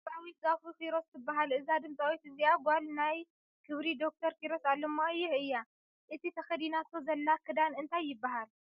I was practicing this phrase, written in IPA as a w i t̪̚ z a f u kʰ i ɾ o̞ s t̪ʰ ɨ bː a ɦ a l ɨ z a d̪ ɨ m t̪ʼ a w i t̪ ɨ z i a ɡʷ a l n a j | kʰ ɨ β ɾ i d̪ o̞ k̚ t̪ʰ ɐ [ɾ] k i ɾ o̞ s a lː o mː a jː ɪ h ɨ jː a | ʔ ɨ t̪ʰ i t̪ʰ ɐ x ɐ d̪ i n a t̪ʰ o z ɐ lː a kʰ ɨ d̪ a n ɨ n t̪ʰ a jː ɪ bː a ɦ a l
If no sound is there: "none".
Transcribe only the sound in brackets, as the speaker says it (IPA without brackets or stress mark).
ɾ